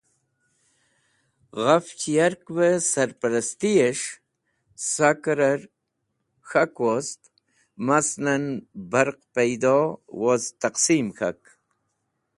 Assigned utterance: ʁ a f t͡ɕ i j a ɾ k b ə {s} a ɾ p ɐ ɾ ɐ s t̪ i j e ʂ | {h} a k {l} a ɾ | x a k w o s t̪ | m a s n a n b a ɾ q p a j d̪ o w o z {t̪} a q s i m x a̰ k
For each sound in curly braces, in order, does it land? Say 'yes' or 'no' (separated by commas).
yes, no, no, yes